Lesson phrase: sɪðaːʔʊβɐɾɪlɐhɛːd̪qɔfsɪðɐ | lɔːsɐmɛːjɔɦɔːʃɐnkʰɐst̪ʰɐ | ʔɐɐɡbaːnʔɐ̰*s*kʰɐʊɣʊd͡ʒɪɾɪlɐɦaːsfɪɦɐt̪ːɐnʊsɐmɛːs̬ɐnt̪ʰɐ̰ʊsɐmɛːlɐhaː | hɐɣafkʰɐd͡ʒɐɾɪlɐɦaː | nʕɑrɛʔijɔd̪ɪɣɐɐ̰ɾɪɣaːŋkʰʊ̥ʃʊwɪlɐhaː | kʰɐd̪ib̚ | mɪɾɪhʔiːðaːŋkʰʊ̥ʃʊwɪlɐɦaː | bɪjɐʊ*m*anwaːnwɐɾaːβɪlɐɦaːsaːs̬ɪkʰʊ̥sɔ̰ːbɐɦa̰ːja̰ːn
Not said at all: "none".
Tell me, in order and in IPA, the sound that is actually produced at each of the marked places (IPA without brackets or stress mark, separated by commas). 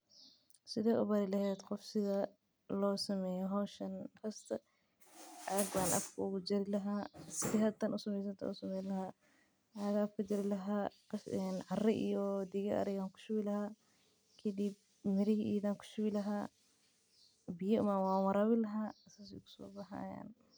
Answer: f, m